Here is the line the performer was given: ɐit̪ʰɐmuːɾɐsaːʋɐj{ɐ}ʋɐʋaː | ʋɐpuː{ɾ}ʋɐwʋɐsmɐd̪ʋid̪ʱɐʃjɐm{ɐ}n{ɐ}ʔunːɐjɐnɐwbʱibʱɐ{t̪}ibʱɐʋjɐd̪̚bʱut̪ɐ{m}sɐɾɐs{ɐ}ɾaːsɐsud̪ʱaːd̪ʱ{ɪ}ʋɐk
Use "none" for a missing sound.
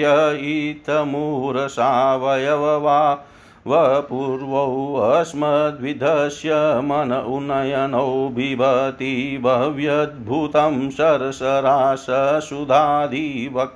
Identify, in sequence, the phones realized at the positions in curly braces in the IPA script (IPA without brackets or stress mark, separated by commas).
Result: ɐ, ɾ, ɐ, ɐ, t̪, m, ɐ, i